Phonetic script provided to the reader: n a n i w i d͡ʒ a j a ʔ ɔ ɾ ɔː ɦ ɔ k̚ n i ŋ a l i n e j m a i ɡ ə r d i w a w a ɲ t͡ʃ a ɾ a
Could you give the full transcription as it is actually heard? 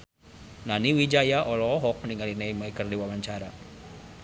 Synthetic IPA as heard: n a n i w i d͡ʒ a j a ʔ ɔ l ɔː ɦ ɔ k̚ n i ŋ a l i n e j m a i k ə r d i w a w a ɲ t͡ʃ a ɾ a